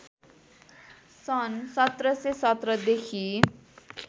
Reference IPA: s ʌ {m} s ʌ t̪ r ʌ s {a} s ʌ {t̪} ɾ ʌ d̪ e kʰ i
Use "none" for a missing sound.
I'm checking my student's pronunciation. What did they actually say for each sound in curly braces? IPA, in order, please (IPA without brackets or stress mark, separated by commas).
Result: n, e, t̪